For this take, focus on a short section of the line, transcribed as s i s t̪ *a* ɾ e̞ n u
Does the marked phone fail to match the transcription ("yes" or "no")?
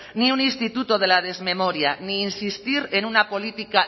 yes